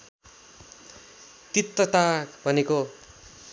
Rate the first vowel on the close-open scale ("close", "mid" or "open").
close